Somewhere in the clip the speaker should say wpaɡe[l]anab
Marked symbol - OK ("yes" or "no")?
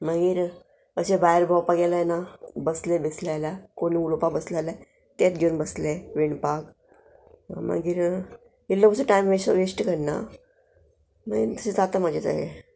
yes